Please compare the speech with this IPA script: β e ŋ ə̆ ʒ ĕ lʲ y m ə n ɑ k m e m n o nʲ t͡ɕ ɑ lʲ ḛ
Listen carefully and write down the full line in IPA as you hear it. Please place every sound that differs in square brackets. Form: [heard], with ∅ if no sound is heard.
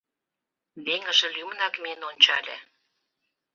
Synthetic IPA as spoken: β e ŋ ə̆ ʒ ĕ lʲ y m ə n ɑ k m e [∅] n o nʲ t͡ɕ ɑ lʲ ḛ

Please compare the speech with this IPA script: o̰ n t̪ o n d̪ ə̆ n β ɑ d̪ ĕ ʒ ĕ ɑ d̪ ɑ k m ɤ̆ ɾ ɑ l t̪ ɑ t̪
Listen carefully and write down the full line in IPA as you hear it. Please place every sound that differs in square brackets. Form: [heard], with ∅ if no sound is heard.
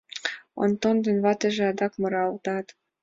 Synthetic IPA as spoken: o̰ n t̪ o n d̪ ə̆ n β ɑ [t̪] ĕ ʒ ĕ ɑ d̪ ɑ k m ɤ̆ ɾ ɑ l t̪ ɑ t̪

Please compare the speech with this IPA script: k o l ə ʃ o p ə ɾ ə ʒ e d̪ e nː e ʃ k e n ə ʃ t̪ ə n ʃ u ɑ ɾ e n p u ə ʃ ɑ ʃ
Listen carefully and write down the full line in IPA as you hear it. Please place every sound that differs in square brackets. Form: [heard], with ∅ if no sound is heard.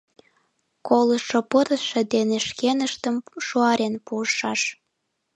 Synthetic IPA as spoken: k o l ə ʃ o p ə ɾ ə [ʃ] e d̪ e [n] e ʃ k e n ə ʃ t̪ ə [m] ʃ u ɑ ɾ e n p u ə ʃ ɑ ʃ

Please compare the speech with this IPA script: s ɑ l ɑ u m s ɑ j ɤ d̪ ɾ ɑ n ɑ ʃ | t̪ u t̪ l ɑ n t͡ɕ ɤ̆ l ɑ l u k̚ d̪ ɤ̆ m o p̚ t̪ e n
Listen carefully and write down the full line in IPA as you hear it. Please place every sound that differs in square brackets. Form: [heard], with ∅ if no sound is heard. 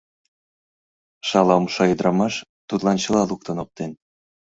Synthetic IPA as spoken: [ʃ] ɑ l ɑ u m [ʃ] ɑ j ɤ d̪ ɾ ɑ [m] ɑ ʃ | t̪ u t̪ l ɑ n t͡ɕ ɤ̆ l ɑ l u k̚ [t̪] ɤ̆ [n] o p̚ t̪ e n

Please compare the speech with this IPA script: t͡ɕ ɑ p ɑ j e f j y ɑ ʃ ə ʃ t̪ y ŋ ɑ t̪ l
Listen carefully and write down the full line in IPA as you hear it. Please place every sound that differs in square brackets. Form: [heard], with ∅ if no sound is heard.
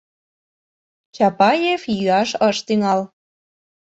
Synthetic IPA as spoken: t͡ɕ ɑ p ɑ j e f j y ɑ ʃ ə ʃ t̪ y ŋ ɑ [∅] l

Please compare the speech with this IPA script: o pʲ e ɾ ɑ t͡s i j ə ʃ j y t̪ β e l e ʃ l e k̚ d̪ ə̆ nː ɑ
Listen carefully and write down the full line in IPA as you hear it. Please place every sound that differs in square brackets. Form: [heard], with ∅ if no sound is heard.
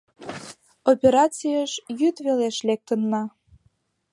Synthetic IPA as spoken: o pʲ e ɾ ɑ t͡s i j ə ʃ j y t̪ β e l e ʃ l e k̚ [t̪] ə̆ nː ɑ

